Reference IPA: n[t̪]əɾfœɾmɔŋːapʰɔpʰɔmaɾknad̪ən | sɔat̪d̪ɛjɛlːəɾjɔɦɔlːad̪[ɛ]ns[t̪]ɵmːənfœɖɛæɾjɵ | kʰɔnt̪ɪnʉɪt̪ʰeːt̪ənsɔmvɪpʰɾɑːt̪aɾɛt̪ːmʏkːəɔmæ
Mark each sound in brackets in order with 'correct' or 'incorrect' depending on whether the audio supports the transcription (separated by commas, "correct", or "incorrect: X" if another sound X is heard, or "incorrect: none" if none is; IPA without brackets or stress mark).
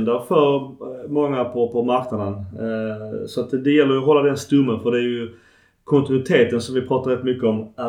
incorrect: d̪, correct, correct